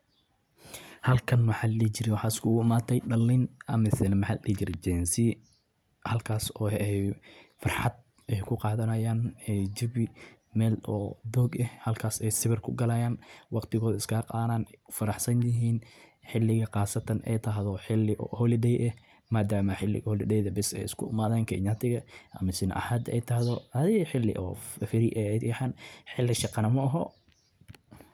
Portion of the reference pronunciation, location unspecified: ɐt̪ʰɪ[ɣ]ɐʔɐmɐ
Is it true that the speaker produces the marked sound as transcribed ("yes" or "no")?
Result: yes